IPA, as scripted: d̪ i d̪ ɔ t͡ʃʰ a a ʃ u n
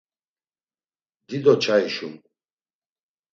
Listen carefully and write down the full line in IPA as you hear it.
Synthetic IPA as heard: d̪ i d̪ ɔ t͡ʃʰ a i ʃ u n